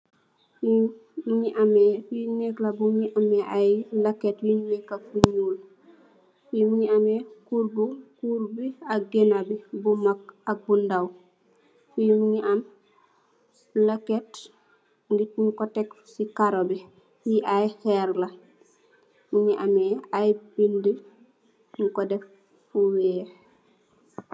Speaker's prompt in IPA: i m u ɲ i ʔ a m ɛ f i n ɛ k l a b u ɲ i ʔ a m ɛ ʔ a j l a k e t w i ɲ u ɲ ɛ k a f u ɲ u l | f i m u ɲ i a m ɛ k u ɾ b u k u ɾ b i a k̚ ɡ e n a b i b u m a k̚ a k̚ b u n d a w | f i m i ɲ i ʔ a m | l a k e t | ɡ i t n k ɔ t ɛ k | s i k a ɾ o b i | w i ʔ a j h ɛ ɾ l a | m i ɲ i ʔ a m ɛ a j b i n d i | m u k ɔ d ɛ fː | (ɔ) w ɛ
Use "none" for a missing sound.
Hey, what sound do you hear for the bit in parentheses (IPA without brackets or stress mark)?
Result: u